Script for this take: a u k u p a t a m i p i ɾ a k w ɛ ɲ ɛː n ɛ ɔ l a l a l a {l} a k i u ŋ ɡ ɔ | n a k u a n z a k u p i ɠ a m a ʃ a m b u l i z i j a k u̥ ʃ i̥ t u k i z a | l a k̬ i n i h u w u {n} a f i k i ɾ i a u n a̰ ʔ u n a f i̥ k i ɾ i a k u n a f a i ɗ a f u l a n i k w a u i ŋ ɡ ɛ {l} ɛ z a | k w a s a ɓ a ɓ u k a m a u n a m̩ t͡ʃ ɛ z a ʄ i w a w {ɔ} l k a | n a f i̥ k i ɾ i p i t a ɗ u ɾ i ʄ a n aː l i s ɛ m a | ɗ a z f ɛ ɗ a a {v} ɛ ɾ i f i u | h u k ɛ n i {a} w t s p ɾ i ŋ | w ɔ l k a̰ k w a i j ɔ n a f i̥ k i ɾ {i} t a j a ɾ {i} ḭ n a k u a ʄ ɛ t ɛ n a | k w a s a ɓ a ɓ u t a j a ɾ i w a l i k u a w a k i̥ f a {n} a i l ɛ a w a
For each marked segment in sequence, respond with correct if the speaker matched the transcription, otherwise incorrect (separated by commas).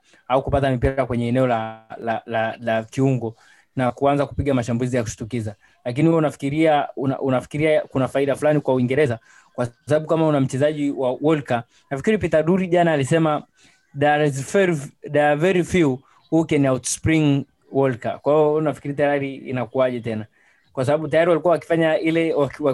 correct, correct, incorrect, correct, correct, correct, correct, correct, incorrect